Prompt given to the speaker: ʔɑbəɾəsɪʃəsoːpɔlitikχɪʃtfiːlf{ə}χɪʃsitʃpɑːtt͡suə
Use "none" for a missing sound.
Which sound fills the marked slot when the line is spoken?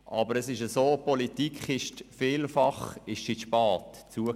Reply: ɑ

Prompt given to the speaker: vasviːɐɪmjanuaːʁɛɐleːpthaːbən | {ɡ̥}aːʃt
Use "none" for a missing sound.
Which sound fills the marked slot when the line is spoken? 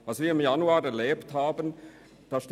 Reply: d̥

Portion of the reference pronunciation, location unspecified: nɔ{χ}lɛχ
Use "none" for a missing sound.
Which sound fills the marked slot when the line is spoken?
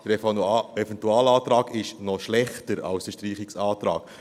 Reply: ʃ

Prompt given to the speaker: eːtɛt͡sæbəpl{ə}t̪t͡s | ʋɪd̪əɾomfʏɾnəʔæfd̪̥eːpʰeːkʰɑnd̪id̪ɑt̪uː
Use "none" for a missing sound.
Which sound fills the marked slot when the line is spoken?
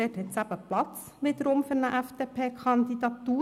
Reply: ɑ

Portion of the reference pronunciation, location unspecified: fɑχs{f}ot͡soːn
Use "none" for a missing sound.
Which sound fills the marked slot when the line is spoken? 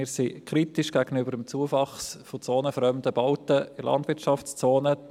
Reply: f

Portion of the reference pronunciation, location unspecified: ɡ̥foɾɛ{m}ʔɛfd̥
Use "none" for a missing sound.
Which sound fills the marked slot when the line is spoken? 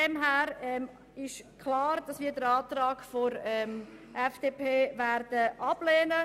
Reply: m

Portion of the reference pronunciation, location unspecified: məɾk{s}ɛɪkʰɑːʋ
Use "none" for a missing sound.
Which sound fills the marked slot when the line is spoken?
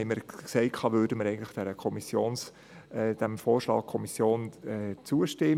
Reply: s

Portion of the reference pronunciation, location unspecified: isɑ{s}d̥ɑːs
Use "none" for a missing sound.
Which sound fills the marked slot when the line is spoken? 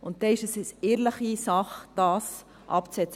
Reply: χ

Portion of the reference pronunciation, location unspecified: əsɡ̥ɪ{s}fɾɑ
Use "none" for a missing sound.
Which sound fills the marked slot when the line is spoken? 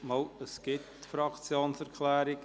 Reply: t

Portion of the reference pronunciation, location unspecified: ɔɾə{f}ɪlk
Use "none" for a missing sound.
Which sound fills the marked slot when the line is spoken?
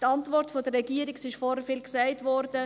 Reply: f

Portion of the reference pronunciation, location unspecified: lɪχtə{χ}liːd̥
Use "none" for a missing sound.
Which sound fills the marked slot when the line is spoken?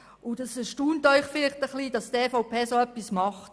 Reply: χ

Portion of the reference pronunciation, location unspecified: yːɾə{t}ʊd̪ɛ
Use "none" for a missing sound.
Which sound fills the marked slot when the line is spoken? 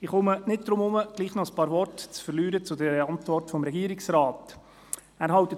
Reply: t͡s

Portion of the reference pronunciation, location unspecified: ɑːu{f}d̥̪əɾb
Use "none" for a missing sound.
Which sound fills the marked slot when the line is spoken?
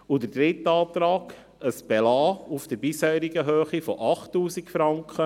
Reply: f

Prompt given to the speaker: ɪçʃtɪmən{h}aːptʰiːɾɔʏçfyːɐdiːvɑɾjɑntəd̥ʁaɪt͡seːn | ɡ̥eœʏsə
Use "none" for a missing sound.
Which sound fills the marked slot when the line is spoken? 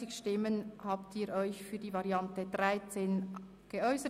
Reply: h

